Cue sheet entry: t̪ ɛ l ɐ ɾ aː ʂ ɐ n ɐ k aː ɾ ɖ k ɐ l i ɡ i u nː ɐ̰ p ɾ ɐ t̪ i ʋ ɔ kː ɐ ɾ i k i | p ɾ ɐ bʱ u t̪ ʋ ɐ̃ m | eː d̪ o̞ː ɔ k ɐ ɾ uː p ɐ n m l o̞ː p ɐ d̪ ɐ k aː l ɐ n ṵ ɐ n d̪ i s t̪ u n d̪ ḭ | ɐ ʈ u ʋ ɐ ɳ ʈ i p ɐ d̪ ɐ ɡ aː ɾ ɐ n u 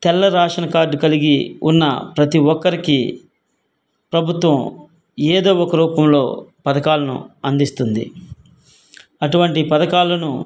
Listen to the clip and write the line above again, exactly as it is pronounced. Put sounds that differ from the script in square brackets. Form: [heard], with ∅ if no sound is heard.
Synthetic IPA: t̪ ɛ [lː] ɐ ɾ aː ʂ ɐ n ɐ k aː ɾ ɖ k ɐ l i ɡ i u nː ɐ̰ p ɾ ɐ t̪ i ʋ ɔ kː ɐ ɾ i k i | p ɾ ɐ bʱ u t̪ ʋ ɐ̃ m | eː d̪ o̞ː ɔ k ɐ ɾ uː p ɐ [∅] m l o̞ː p ɐ d̪ ɐ k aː l ɐ n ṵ ɐ n d̪ i s t̪ u n d̪ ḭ | ɐ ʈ u ʋ ɐ ɳ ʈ i p ɐ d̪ ɐ [k] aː [l] ɐ n u

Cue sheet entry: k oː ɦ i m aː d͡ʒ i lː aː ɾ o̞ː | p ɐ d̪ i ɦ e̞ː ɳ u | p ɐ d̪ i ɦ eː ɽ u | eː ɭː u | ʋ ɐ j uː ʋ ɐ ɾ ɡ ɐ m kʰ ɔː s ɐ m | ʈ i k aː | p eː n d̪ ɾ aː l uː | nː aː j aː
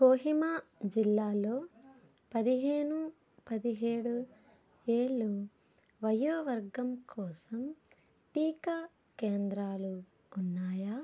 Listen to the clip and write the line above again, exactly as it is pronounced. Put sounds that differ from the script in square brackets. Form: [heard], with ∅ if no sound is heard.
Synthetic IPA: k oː ɦ i m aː d͡ʒ i lː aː [l] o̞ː | p ɐ d̪ i ɦ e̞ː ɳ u | p ɐ d̪ i ɦ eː ɽ u | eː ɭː u | ʋ ɐ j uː ʋ ɐ ɾ ɡ ɐ m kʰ ɔː s ɐ m | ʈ [iː] k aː | [k] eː n d̪ ɾ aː l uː | nː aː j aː

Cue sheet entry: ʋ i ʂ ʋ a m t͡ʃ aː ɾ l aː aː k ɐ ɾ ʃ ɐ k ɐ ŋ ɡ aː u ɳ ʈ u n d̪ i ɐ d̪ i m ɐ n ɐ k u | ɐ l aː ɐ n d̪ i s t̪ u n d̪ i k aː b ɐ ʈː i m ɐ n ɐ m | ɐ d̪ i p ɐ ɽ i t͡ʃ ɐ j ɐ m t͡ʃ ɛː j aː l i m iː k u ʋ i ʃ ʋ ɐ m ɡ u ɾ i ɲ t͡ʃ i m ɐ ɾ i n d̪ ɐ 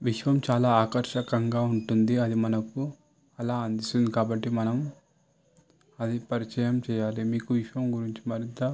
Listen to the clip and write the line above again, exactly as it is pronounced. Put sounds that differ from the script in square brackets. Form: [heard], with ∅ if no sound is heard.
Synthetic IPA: ʋ i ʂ ʋ [ɐ] m t͡ʃ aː [∅] l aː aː k ɐ ɾ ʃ ɐ k ɐ ŋ ɡ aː u ɳ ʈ u n d̪ i ɐ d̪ i m ɐ n ɐ k u | ɐ l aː ɐ n d̪ i s t̪ u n d̪ i k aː b ɐ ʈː i m ɐ n ɐ m | ɐ d̪ i p ɐ [ɾ] i t͡ʃ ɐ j ɐ m t͡ʃ ɛː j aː l i m iː k u ʋ i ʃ ʋ ɐ m ɡ u ɾ i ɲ t͡ʃ i m ɐ ɾ i n [t̪] ɐ

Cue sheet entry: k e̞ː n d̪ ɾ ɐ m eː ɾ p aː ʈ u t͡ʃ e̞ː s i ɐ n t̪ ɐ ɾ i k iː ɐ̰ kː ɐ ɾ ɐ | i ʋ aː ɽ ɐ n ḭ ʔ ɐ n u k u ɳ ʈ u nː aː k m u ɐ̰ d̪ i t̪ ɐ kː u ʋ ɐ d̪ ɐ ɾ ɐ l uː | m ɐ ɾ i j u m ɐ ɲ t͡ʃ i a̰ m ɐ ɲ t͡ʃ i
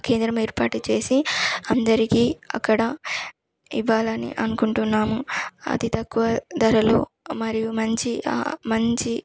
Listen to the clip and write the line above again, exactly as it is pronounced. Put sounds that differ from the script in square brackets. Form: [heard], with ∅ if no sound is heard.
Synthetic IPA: k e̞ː n d̪ ɾ ɐ m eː ɾ p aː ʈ u t͡ʃ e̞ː s i ɐ n [d̪] ɐ ɾ i k iː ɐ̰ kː ɐ [ɽ] ɐ | i ʋ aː [l] ɐ n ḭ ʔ ɐ n u k u ɳ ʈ u nː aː [∅] m u ɐ̰ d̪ i t̪ ɐ kː u ʋ ɐ d̪ ɐ ɾ ɐ l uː | m ɐ ɾ i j u m ɐ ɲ t͡ʃ i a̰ m ɐ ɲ t͡ʃ i

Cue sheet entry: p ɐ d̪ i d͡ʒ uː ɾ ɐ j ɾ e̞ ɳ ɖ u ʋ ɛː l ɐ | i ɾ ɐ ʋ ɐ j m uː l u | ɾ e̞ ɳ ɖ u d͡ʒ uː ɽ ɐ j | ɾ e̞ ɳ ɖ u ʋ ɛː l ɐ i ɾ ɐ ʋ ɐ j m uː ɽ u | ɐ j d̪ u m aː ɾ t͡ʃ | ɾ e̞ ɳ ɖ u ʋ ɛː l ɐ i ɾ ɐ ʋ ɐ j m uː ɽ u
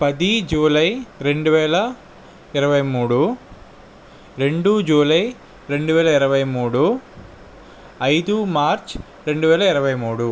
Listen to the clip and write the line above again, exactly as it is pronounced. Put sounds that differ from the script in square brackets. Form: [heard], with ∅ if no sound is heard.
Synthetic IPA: p ɐ d̪ i d͡ʒ uː [l] ɐ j ɾ e̞ ɳ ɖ u ʋ ɛː l ɐ | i ɾ ɐ ʋ ɐ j m uː [ɽ] u | ɾ e̞ ɳ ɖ u d͡ʒ uː [l] ɐ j | ɾ e̞ ɳ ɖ u ʋ ɛː l ɐ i ɾ ɐ ʋ ɐ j m uː ɽ u | ɐ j d̪ u m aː ɾ t͡ʃ | ɾ e̞ ɳ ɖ u ʋ ɛː l ɐ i ɾ ɐ ʋ ɐ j m uː ɽ u

